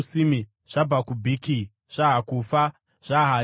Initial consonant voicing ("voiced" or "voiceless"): voiceless